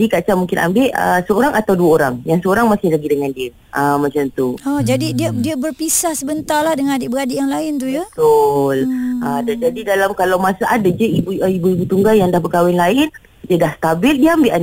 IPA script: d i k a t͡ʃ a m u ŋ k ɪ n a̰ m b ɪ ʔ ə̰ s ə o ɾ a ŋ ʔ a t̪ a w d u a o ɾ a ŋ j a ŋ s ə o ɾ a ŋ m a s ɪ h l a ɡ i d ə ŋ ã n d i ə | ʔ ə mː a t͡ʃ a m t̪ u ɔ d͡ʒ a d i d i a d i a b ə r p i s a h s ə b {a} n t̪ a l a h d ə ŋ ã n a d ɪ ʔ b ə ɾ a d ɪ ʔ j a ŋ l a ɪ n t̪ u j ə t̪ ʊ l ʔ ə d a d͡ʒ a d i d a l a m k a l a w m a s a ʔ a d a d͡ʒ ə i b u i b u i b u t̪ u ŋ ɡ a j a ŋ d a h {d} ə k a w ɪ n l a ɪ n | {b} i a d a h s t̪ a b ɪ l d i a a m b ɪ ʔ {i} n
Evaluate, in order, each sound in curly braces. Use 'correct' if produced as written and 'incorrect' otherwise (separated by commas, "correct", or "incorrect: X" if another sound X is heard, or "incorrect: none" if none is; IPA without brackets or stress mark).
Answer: incorrect: ə, incorrect: b, incorrect: d, incorrect: a